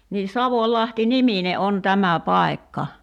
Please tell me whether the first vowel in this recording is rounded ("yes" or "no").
no